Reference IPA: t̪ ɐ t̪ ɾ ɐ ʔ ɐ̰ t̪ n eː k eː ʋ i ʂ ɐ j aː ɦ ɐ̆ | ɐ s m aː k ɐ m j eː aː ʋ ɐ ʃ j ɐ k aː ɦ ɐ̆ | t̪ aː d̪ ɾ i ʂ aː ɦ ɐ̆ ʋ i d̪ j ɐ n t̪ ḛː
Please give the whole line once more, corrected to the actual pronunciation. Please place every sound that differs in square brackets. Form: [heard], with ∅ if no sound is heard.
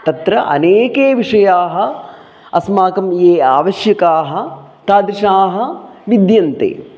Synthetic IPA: t̪ ɐ t̪ ɾ ɐ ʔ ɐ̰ [∅] n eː k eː ʋ i ʂ ɐ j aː ɦ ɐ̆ | ɐ s m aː k ɐ m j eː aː ʋ ɐ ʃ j ɐ k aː ɦ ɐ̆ | t̪ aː d̪ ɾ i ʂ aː ɦ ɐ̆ ʋ i d̪ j ɐ n t̪ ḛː